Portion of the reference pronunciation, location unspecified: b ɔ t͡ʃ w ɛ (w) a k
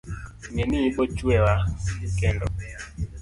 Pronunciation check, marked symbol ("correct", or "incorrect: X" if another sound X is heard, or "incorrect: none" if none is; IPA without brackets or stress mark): correct